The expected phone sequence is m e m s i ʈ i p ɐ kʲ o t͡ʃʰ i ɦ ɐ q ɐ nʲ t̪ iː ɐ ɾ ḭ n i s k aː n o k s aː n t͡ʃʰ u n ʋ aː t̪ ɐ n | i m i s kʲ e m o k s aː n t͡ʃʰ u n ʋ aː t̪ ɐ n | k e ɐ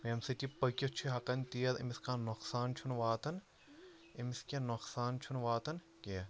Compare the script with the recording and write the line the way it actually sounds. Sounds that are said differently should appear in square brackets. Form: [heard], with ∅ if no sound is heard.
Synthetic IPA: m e m s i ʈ i p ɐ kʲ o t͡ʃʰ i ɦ ɐ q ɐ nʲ t̪ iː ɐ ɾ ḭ [m] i s k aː n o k s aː n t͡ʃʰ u n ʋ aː t̪ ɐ n | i m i s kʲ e [n] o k s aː n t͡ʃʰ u n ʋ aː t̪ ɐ n | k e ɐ